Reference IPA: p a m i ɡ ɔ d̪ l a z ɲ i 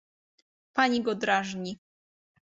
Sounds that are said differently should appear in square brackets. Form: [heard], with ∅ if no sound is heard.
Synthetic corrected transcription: p a [ɲ] i ɡ ɔ d̪ [ɾ] a [ʐ] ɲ i